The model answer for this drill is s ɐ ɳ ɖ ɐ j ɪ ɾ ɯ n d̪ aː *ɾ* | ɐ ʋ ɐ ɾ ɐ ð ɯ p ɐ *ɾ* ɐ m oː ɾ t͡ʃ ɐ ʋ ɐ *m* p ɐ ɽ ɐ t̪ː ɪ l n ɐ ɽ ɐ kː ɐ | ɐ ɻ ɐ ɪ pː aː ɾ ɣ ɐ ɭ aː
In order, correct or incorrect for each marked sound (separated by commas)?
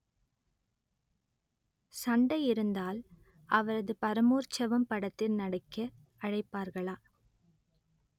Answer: incorrect, correct, correct